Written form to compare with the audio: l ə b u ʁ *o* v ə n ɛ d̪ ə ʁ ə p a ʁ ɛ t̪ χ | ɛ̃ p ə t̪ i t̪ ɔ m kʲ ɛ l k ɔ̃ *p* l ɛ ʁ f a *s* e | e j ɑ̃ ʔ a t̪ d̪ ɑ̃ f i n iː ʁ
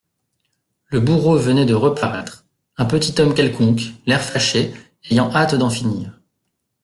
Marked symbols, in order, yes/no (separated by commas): yes, no, no